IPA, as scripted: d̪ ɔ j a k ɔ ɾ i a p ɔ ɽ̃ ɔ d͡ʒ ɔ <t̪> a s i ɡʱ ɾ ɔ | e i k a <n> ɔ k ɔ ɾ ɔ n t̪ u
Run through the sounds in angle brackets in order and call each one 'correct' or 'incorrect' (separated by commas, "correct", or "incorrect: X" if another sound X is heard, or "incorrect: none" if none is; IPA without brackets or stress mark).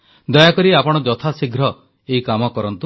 incorrect: t̪ʰ, incorrect: m